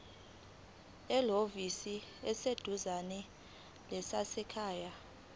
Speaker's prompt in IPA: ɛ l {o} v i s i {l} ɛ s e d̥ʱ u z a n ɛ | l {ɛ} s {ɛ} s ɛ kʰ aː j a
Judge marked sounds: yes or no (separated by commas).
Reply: yes, no, yes, no